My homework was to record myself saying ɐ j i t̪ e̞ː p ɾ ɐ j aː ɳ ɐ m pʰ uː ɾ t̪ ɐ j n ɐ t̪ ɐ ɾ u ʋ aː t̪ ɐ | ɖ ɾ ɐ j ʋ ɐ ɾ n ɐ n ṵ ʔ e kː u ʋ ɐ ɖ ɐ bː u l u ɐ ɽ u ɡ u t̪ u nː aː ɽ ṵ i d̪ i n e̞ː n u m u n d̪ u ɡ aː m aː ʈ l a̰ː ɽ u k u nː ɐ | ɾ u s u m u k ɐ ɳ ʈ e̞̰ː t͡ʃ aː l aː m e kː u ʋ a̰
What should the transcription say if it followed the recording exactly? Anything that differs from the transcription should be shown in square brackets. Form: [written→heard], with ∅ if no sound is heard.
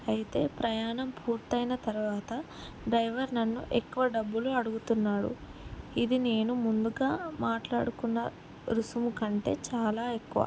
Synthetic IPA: ɐ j i t̪ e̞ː p ɾ ɐ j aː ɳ ɐ m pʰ uː ɾ t̪ ɐ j n ɐ t̪ ɐ ɾ u ʋ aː t̪ ɐ | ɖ ɾ ɐ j ʋ ɐ ɾ n ɐ [n→nː] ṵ ʔ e kː u ʋ ɐ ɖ ɐ bː u l u ɐ ɽ u ɡ u t̪ u nː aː ɽ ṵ i d̪ i n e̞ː n u m u n d̪ u ɡ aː m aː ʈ l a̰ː ɽ u k u nː ɐ | ɾ u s u m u k ɐ ɳ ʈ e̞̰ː t͡ʃ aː l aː [m→∅] e kː u ʋ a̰